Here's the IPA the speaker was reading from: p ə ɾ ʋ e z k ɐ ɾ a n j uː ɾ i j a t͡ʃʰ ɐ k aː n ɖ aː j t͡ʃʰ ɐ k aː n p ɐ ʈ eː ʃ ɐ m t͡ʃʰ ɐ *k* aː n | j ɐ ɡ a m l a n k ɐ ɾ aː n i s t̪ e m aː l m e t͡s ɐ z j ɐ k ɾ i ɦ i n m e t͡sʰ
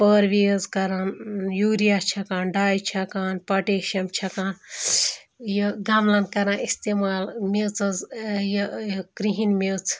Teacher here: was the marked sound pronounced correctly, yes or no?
yes